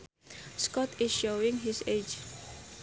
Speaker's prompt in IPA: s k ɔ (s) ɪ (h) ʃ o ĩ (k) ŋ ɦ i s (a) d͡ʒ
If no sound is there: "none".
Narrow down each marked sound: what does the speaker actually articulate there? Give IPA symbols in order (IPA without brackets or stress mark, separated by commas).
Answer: t, s, none, e